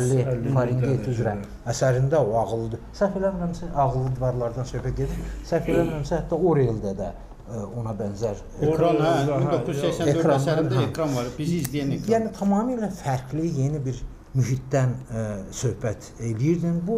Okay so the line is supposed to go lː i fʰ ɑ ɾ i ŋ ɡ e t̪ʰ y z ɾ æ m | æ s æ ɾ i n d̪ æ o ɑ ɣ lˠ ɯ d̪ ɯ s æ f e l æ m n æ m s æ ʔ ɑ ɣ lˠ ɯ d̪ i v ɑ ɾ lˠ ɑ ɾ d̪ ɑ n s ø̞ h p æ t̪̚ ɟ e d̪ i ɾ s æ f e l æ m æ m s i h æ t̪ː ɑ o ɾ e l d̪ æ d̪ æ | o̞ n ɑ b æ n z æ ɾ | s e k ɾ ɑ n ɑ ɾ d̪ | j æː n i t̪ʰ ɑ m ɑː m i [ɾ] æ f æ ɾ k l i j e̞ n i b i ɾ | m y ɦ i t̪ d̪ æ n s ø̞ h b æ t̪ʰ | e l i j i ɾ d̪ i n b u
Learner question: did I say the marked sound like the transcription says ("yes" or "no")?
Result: no